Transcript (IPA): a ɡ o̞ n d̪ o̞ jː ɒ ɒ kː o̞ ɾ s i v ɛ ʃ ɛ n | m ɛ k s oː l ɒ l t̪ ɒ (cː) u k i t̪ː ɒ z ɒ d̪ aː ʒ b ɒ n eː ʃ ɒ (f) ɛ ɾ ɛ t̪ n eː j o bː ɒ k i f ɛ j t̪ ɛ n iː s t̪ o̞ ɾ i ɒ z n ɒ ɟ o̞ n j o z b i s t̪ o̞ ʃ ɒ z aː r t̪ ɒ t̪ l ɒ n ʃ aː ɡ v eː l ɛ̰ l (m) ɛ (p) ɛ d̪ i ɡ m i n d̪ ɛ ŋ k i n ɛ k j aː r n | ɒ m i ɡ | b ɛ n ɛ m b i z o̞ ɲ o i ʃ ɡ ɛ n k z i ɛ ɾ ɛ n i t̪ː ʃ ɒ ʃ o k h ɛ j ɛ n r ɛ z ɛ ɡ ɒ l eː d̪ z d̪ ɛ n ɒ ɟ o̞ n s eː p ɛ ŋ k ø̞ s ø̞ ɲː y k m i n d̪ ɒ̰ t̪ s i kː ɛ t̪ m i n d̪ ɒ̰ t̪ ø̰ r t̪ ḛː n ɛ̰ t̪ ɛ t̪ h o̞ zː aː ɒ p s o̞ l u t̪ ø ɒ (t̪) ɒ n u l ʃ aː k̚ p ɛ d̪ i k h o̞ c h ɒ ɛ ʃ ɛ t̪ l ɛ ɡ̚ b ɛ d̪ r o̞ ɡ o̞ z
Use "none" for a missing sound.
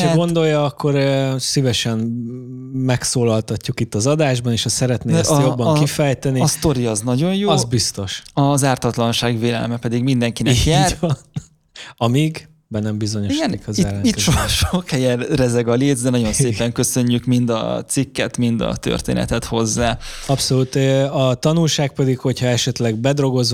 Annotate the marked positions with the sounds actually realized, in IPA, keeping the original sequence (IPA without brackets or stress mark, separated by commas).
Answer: cː, s, m, p, t̪